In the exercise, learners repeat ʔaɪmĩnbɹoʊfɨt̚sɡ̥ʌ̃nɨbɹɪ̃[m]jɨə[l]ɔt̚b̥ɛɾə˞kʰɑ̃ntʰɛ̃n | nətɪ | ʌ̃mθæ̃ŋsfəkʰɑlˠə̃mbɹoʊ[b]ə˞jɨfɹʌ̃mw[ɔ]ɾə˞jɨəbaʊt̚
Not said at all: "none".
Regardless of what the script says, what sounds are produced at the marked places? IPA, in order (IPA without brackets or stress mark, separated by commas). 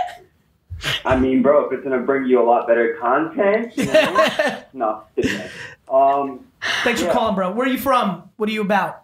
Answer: ŋ, l, w, ʌ